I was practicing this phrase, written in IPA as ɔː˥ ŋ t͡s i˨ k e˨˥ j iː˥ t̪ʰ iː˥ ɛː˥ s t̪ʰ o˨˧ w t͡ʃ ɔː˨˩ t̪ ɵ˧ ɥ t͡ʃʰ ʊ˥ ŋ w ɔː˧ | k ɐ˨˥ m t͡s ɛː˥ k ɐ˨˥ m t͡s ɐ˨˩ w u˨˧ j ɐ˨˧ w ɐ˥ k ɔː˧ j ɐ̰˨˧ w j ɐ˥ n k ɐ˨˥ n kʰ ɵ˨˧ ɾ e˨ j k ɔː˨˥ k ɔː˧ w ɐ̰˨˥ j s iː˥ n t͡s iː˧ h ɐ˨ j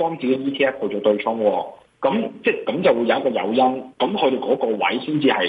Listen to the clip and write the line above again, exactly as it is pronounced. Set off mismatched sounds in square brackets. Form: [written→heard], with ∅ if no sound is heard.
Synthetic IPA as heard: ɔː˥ ŋ t͡s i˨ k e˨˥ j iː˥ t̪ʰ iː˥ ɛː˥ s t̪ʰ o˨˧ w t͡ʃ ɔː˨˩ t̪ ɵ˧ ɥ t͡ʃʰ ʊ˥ ŋ w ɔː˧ | k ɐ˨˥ m t͡s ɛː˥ k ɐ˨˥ m t͡s ɐ˨˩ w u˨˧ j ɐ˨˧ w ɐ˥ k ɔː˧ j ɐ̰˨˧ w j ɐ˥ n k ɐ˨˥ [n→m] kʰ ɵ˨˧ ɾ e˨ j k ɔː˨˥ k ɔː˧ w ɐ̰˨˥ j s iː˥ n t͡s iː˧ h ɐ˨ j